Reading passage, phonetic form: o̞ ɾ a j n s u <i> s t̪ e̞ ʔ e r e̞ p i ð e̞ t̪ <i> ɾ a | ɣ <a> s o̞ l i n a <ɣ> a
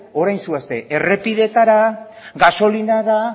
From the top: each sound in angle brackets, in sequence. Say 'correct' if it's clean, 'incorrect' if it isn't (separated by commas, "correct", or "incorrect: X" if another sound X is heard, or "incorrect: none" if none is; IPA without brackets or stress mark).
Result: incorrect: a, incorrect: a, correct, incorrect: ð